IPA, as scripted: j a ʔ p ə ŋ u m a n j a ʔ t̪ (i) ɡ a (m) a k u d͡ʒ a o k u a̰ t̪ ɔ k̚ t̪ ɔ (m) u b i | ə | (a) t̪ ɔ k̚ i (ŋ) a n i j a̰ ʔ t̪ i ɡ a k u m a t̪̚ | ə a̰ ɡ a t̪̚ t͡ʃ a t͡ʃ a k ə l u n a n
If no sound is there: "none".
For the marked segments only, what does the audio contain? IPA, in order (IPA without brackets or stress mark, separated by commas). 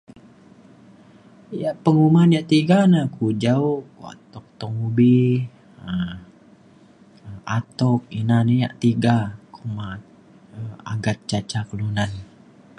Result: i, n, ŋ, a, n